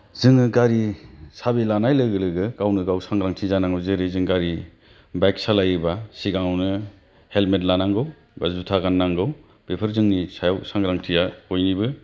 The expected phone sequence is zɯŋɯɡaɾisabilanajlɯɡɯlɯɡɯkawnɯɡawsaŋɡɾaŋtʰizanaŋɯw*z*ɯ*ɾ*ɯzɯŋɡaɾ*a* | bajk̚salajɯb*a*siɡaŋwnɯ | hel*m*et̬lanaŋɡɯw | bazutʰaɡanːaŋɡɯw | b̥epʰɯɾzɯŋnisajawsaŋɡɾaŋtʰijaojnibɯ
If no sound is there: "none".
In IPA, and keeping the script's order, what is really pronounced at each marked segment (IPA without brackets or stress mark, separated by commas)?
z, ɾ, i, a, m